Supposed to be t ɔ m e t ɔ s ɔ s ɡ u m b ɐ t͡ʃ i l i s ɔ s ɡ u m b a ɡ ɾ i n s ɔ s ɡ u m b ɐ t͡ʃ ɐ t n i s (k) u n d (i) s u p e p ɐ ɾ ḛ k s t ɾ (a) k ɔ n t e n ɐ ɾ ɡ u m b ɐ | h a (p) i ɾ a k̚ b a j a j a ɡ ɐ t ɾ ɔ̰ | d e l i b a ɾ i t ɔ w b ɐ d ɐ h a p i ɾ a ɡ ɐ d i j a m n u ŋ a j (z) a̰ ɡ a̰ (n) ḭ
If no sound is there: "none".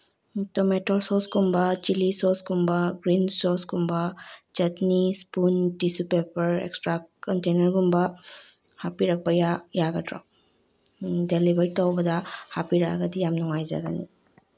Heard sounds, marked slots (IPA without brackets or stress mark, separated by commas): p, i, a, p, z, n